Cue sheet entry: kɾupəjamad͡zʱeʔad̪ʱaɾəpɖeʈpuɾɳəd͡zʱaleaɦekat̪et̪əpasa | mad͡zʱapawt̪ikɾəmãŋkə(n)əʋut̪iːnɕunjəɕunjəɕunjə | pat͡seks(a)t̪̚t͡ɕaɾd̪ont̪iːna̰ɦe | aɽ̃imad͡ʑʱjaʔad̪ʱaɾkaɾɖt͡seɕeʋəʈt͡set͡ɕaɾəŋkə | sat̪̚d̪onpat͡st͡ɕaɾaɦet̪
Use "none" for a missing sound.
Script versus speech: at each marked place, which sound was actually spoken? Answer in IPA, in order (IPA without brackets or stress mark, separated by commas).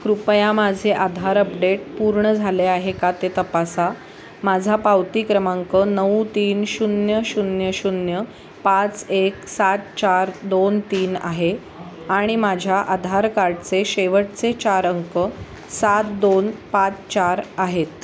n, a